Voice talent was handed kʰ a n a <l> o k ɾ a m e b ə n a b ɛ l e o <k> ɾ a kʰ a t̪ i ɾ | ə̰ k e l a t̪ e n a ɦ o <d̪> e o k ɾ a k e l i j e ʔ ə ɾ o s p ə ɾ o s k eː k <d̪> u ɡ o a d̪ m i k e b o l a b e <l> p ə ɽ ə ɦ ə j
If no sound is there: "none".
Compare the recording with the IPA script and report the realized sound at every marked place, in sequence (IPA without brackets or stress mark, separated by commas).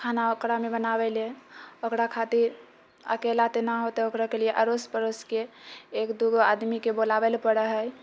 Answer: none, k, t̪, d̪, l